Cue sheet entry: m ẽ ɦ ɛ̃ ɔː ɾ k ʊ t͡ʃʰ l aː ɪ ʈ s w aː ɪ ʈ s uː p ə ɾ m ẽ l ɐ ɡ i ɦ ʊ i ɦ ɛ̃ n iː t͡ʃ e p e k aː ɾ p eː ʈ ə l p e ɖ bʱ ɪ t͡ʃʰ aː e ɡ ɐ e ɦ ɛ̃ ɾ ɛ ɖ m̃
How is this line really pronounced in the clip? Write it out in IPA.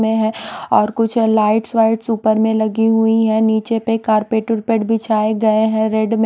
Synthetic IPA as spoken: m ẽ ɦ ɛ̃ ɔː ɾ k ʊ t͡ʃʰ l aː ɪ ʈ s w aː ɪ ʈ s uː p ə ɾ m ẽ l ɐ ɡ i ɦ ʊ i ɦ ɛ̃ n iː t͡ʃ e p e k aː ɾ p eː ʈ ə ɾ p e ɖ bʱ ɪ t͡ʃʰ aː e ɡ ɐ e ɦ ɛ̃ ɾ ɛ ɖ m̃